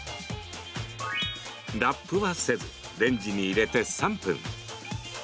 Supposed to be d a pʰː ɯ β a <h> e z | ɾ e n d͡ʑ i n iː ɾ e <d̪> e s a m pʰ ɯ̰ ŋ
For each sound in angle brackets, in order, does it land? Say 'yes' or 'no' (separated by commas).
no, no